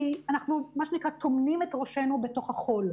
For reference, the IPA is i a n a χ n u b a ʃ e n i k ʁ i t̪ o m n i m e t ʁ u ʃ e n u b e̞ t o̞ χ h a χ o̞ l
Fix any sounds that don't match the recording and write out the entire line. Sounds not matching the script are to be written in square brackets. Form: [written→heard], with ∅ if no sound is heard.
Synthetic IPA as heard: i a n a χ n u [b→m] a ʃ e n i k ʁ [i→a] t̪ o m n i m e t ʁ [u→o] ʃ e n u b e̞ t o̞ χ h a χ o̞ l